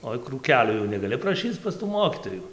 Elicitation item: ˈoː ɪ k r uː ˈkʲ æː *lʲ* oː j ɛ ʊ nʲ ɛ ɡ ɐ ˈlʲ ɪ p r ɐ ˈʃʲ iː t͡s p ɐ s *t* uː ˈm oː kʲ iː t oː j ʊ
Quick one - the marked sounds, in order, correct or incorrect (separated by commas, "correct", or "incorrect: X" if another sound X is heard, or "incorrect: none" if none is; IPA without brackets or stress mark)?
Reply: correct, correct